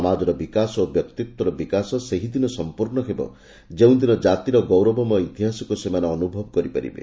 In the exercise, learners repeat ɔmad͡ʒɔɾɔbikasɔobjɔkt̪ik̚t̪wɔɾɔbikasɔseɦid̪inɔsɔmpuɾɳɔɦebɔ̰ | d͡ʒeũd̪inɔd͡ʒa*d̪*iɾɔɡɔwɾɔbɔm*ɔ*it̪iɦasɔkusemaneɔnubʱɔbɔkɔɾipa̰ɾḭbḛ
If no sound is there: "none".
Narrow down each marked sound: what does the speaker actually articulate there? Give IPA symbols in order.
t̪, ɔ

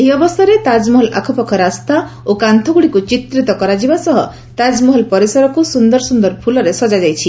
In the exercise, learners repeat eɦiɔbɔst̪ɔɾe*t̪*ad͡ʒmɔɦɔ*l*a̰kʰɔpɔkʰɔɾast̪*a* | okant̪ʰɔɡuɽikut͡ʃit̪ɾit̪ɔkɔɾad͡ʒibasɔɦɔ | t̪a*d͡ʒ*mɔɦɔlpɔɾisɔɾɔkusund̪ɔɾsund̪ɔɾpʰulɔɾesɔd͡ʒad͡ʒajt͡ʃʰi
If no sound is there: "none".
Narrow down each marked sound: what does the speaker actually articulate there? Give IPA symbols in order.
t̪, l, a, d͡ʒ

